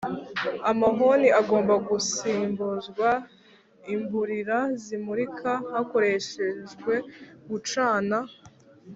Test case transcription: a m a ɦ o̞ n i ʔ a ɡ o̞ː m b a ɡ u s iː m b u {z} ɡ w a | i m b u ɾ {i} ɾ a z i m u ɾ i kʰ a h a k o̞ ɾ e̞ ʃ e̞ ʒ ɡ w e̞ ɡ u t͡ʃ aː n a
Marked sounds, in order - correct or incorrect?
correct, correct

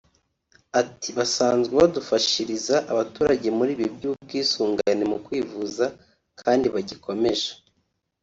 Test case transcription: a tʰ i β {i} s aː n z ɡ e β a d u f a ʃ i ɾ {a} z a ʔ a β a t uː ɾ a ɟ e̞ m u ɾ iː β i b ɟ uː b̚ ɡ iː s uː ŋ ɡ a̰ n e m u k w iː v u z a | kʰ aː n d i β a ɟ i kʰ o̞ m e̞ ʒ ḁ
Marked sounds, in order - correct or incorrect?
incorrect: a, incorrect: i

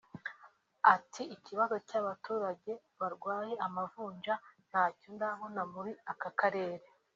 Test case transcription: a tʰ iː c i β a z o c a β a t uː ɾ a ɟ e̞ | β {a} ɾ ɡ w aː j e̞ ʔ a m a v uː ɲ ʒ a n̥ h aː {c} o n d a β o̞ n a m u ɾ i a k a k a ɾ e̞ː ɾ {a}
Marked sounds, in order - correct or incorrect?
correct, correct, incorrect: e

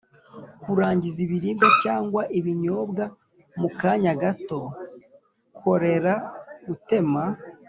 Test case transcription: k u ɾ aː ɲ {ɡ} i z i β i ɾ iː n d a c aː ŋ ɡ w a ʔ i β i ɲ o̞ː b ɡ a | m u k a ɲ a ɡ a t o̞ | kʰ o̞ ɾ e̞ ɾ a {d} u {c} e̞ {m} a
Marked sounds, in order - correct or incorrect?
incorrect: ɟ, incorrect: ɡ, incorrect: t, correct

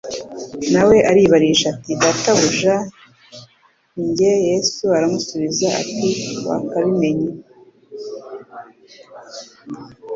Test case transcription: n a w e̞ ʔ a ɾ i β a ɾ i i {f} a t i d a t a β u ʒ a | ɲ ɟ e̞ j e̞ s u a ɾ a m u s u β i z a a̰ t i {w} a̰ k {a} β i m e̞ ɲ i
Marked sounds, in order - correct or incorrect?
incorrect: ʃ, correct, correct

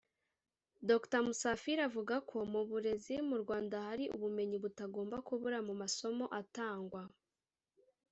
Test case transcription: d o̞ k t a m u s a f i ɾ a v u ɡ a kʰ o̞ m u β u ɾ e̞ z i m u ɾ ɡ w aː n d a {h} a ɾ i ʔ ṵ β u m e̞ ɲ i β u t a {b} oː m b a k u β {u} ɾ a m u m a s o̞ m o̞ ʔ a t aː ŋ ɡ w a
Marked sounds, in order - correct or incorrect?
correct, incorrect: ɡ, correct

